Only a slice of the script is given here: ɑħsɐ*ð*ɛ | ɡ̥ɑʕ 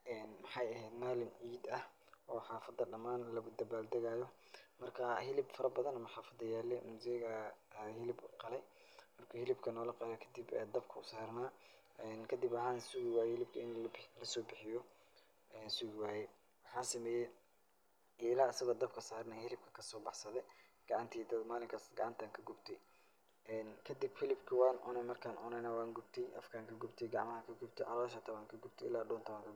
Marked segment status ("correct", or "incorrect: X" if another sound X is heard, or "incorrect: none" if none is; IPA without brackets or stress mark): correct